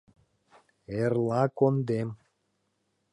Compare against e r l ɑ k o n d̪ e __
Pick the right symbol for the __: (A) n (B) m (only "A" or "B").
B